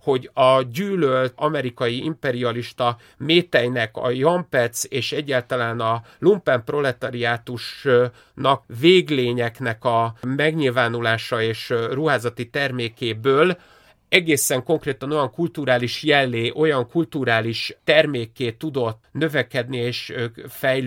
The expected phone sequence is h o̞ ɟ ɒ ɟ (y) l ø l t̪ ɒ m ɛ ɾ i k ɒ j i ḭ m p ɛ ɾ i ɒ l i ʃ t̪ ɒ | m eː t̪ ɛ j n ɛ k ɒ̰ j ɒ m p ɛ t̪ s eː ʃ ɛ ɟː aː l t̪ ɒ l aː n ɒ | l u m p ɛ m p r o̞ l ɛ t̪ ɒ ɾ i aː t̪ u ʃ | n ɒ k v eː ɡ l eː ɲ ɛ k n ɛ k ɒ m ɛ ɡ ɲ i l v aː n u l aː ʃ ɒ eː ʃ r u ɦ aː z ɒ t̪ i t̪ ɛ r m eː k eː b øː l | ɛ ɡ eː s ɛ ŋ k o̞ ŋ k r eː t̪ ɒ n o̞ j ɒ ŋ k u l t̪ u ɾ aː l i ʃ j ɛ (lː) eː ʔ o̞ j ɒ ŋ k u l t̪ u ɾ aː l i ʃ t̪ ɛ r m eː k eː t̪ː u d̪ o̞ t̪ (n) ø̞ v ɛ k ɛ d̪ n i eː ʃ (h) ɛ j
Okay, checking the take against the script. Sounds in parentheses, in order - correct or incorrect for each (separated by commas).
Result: incorrect, correct, correct, incorrect